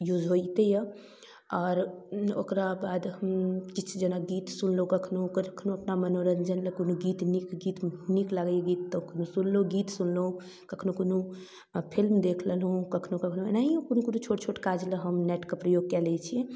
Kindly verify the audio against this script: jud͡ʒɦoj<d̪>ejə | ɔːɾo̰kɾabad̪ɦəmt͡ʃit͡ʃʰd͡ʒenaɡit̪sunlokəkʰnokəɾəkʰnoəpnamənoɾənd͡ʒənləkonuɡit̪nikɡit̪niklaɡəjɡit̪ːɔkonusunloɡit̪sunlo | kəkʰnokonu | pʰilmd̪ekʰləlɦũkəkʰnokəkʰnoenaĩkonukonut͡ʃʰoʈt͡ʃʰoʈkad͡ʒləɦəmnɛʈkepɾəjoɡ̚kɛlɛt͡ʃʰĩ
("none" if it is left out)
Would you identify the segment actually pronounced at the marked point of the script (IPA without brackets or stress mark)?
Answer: t̪